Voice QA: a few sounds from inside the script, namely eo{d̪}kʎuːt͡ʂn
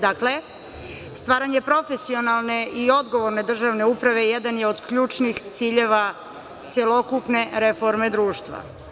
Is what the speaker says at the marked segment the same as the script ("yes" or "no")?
yes